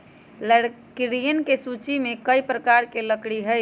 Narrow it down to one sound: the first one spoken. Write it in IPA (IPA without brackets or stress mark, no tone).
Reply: l